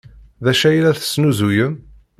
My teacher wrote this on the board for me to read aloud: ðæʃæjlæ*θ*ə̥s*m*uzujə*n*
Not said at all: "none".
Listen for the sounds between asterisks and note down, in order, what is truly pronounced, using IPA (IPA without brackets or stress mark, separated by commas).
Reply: θ, n, m